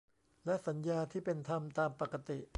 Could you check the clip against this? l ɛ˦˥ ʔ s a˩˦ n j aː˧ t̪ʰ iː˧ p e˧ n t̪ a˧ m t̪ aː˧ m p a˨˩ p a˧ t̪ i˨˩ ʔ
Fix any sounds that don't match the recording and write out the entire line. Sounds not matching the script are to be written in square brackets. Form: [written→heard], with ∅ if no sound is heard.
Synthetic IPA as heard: l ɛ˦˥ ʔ s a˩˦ n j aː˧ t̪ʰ [iː˧→iː˥˩] p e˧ n [t̪→t̪ʰ] a˧ m t̪ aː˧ m p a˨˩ [p→k] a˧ t̪ i˨˩ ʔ